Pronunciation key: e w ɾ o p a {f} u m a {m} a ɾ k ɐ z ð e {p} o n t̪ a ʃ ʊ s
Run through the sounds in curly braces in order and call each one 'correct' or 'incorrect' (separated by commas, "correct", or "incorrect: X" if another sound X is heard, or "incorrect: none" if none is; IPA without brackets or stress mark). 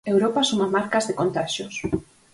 incorrect: s, correct, incorrect: k